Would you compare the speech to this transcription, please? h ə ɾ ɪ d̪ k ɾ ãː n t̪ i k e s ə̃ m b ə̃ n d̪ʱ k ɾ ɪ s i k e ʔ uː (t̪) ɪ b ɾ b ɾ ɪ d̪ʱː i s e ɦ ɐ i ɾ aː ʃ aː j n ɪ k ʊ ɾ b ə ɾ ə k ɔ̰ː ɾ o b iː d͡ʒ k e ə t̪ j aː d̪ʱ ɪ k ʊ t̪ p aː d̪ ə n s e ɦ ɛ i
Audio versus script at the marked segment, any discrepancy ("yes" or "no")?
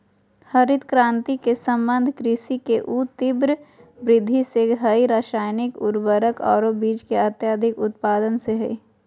no